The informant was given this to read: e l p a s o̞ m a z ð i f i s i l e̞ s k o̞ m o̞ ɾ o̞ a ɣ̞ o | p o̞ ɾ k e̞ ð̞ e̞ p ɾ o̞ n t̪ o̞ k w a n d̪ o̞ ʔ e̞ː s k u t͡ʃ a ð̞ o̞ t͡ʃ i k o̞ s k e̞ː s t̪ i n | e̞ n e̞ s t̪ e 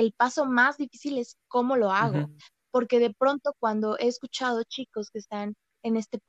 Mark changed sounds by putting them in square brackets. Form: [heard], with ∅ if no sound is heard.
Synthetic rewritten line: e l p a s o̞ m a z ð i f i s i l e̞ s k o̞ m o̞ [l] o̞ a ɣ̞ o | p o̞ ɾ k e̞ ð̞ e̞ p ɾ o̞ n t̪ o̞ k w a n d̪ o̞ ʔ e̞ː s k u t͡ʃ a ð̞ o̞ t͡ʃ i k o̞ s k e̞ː s t̪ [a] n | e̞ n e̞ s t̪ e